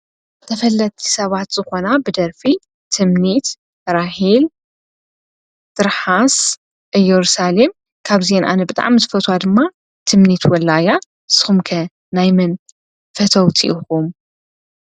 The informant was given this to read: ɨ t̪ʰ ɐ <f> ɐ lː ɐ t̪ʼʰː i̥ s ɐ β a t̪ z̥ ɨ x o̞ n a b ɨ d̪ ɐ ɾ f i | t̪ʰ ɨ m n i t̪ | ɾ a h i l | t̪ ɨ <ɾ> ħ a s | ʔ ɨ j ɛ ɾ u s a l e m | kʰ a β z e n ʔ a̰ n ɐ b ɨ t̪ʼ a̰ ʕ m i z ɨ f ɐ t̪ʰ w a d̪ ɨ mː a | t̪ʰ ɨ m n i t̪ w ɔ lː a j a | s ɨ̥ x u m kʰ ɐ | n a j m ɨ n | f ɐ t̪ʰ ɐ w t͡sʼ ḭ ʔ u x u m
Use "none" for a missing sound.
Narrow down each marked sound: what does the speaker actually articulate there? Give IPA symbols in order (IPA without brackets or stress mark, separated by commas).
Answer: f, ɾ